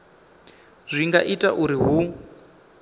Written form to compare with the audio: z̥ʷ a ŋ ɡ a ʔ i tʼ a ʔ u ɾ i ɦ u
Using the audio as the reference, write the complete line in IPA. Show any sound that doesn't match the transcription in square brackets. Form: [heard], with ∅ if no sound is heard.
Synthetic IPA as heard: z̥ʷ [i] ŋ ɡ a ʔ i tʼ a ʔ u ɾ i ɦ u